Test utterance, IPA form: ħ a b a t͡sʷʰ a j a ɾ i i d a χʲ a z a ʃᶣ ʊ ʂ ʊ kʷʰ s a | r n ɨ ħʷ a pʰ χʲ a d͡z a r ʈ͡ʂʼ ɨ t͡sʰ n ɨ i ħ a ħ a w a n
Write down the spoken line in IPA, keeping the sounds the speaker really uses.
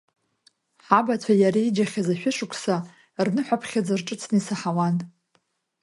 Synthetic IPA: ħ a b a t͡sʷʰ a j a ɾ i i d͡ʒ a χʲ a z a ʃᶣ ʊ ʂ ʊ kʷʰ s a | r n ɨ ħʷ a pʰ χʲ a d͡z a r ʈ͡ʂʼ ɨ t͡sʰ n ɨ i s a ħ a w a n